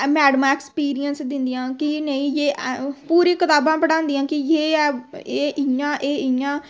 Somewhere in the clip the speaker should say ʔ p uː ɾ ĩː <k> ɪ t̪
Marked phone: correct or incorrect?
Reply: correct